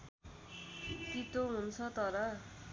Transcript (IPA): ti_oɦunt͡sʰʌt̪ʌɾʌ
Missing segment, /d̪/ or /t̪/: t̪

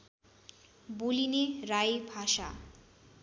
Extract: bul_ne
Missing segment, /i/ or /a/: i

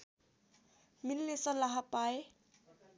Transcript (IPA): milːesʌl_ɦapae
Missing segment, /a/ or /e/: a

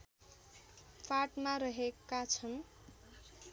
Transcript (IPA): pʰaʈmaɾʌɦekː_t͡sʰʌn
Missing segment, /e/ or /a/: a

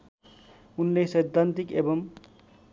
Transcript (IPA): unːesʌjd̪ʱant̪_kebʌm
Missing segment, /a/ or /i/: i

